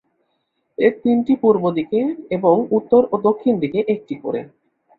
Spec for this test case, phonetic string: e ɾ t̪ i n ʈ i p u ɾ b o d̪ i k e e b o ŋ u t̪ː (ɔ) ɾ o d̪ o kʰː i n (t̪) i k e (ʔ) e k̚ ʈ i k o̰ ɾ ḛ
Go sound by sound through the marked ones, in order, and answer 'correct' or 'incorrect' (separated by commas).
incorrect, incorrect, correct